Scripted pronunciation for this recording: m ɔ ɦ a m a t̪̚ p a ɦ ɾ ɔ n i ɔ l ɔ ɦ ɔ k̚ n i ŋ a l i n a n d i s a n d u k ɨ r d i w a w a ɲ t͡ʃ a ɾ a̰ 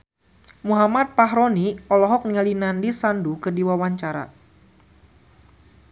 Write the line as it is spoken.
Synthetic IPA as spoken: m u ɦ a m a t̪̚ p a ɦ ɾ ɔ n i ɔ l ɔ ɦ ɔ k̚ n i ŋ a l i n a n d i s a n d u k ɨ r d i w a w a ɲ t͡ʃ a ɾ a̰